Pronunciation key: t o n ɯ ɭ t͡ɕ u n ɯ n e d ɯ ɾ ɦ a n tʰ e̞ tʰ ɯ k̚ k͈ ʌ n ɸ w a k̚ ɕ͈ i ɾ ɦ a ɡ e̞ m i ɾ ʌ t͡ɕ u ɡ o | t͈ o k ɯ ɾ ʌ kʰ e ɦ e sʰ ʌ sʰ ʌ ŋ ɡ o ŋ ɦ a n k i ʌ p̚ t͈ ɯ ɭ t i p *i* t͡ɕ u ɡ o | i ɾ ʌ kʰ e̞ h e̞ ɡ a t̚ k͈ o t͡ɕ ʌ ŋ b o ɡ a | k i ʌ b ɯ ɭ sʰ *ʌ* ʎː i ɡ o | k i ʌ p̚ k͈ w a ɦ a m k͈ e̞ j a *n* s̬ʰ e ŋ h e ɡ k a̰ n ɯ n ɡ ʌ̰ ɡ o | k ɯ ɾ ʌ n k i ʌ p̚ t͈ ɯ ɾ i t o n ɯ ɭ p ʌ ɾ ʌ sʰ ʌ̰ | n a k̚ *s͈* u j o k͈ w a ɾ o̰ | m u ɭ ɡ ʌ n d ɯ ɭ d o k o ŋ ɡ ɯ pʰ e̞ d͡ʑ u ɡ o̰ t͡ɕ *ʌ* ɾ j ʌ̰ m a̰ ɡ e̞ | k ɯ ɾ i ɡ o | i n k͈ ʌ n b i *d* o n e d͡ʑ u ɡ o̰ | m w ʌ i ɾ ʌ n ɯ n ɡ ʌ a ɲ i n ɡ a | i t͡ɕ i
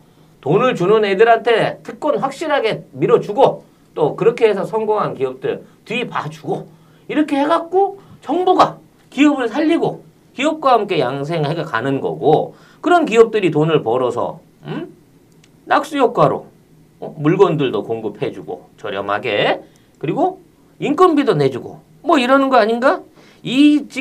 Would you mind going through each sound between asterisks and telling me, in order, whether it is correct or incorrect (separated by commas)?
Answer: incorrect, incorrect, incorrect, correct, correct, correct